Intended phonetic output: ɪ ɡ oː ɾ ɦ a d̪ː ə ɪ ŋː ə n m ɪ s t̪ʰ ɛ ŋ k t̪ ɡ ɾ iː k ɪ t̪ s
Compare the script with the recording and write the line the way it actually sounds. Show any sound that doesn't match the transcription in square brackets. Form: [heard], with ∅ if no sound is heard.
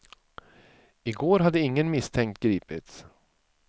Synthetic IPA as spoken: ɪ ɡ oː ɾ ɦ a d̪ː ə ɪ ŋː ə n m ɪ s t̪ʰ ɛ ŋ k t̪ ɡ ɾ iː [p] ɪ t̪ s